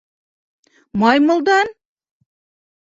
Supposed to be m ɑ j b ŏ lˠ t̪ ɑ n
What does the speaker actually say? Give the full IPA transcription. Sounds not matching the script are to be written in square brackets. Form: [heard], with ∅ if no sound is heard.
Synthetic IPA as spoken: m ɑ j [m] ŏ lˠ [d̪] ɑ n